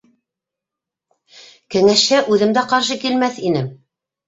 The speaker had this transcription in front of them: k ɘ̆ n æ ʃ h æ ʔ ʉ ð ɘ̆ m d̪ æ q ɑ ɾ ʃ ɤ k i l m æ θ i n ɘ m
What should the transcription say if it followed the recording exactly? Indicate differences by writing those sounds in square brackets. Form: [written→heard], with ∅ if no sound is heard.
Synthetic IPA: k ɘ̆ [n→ŋ] æ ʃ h æ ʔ ʉ ð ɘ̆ m d̪ æ q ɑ ɾ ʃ ɤ k i l m æ θ i n ɘ m

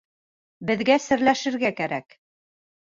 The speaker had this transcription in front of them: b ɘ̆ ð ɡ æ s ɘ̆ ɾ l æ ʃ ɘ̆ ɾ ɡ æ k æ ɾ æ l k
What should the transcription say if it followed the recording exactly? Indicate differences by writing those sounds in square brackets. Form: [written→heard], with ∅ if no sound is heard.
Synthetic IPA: b ɘ̆ ð ɡ æ s ɘ̆ ɾ l æ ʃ ɘ̆ ɾ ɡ æ k æ ɾ æ [l→∅] k

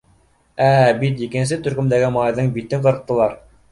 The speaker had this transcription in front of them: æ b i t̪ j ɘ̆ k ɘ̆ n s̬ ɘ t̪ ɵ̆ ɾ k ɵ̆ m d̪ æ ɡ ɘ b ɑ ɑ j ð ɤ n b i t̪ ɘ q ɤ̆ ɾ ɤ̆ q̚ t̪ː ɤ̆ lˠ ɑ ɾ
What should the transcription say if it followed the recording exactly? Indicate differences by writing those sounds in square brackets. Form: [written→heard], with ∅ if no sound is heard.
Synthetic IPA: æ b i t̪ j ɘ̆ k ɘ̆ n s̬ ɘ t̪ ɵ̆ ɾ k ɵ̆ m d̪ æ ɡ ɘ [b→m] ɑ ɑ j ð ɤ [n→ɴ] b i t̪ ɘ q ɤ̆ ɾ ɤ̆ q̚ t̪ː ɤ̆ lˠ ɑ ɾ

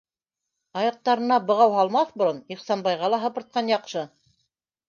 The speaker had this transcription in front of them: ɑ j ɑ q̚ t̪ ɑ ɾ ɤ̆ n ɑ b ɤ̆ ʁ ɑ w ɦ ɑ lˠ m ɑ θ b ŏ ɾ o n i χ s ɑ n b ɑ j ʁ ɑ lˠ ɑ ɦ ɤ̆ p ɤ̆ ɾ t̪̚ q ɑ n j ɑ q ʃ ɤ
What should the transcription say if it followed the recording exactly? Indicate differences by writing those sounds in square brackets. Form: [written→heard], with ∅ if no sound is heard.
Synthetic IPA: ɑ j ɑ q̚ t̪ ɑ ɾ ɤ̆ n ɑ b ɤ̆ ʁ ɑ w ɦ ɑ lˠ m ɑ θ b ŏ ɾ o n i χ s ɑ n b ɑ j ʁ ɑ lˠ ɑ ɦ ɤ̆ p ɤ̆ ɾ t̪̚ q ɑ n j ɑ q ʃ ɤ

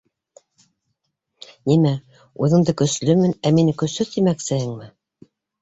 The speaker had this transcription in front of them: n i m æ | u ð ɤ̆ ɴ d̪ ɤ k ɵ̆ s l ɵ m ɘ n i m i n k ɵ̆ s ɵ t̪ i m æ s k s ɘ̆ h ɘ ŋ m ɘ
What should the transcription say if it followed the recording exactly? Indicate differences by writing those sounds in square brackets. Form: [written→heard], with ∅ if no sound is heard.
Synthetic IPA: n i m æ | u ð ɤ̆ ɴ d̪ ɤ k ɵ̆ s l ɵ m ɘ n [i→æ] m i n k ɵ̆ s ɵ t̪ i m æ [s→∅] k s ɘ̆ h ɘ ŋ m ɘ

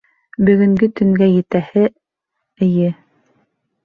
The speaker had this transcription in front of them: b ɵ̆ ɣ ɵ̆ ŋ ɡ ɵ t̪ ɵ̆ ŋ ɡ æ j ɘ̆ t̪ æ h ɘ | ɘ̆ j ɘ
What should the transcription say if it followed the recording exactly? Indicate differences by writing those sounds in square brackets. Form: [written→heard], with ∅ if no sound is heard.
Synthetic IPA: b ɵ̆ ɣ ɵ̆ ŋ ɡ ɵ t̪ ɵ̆ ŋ ɡ æ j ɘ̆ t̪ æ h ɘ | ɘ̆ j ɘ

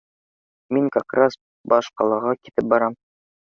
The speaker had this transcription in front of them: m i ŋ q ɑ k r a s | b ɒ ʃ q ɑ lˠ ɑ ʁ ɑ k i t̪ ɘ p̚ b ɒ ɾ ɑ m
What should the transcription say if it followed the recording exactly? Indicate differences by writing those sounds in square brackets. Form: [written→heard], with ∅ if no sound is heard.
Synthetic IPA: m i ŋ [q→k] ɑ k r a s | b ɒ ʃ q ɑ lˠ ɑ ʁ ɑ k i t̪ ɘ p̚ b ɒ ɾ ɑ m

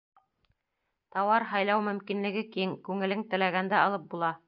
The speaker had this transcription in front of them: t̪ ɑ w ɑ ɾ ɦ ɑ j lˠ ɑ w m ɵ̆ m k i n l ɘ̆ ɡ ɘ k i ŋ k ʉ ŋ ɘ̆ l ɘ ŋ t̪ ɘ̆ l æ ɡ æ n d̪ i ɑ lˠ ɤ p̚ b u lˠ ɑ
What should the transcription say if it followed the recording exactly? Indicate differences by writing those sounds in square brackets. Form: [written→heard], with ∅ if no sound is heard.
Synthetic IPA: t̪ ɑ w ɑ ɾ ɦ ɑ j lˠ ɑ w m ɵ̆ m k i n l ɘ̆ ɡ ɘ k i ŋ k ʉ ŋ ɘ̆ l ɘ ŋ t̪ ɘ̆ l æ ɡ æ n d̪ [i→æ] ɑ lˠ ɤ p̚ b u lˠ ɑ

